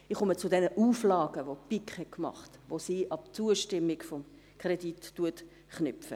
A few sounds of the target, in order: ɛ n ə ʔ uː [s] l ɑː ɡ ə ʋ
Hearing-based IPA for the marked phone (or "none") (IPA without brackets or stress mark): f